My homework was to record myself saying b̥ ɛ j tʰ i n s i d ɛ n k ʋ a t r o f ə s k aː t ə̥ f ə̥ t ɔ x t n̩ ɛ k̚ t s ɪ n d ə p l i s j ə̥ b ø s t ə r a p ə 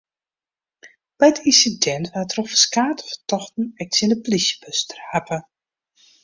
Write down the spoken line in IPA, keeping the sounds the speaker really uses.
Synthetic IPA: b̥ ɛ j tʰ i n s i d ɛ n t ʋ a t r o f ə s k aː t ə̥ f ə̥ t ɔ x t n̩ ɛ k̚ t s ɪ n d ə p l i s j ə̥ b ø s t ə r a p ə